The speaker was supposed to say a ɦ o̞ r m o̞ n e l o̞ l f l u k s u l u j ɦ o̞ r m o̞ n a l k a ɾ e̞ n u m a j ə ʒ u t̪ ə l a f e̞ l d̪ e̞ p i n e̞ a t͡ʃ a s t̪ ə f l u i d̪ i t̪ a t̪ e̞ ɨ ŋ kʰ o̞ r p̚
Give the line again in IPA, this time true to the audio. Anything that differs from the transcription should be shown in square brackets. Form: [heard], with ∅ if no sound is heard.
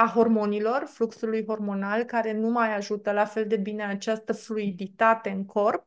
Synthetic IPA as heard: a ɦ o̞ r m o̞ n [i] l o̞ [r] f l u k s u l u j ɦ o̞ r m o̞ n a l k a ɾ e̞ n u m a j [a] ʒ u t̪ ə l a f e̞ l d̪ e̞ [b] i n e̞ a t͡ʃ a s t̪ ə f l u i d̪ i t̪ a t̪ e̞ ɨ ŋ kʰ o̞ r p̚